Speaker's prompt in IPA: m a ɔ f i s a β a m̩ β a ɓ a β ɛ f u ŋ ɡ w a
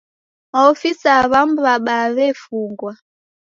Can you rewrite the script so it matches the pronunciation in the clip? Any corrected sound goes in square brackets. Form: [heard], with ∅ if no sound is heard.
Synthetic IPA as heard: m a ɔ f i s a β a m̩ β a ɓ a β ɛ f u ŋ ɡ w a